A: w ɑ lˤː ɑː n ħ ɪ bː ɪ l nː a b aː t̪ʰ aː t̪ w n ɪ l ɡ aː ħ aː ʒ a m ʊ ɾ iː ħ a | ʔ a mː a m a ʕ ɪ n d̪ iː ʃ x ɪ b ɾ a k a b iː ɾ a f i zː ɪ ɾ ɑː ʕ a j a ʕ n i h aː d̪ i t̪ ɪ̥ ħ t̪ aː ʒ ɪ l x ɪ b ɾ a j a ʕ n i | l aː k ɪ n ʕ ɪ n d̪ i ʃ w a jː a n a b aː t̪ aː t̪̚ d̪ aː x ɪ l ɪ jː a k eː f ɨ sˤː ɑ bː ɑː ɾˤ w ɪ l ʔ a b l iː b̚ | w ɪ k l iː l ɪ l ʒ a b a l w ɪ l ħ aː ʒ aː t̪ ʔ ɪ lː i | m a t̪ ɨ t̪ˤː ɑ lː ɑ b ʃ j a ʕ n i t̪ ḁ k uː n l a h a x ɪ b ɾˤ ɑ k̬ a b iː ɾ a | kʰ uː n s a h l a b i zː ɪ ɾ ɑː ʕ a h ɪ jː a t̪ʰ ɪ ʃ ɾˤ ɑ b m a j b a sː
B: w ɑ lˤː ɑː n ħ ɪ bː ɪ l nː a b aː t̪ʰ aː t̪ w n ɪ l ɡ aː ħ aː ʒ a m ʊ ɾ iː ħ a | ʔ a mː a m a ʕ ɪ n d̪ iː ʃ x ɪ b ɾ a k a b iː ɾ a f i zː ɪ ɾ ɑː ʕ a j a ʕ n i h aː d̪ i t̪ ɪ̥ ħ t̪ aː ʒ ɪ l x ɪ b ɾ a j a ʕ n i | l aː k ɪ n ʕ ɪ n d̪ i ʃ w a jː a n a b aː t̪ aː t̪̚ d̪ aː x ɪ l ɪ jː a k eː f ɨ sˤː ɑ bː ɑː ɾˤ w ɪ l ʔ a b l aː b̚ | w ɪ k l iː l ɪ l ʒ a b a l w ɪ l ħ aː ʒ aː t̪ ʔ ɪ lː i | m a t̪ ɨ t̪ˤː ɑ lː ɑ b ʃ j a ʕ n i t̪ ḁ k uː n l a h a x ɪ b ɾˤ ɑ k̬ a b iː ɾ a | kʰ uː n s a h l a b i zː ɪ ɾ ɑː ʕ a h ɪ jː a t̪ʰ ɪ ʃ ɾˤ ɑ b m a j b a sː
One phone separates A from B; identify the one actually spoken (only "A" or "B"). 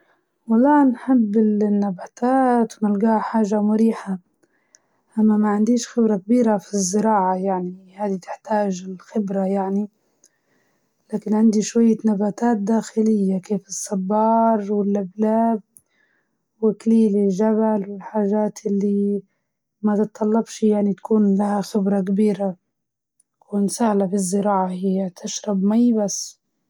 B